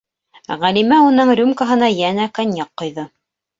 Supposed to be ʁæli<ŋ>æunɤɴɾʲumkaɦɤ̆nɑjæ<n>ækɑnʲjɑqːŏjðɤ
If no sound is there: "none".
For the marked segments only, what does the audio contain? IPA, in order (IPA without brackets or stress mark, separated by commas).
m, n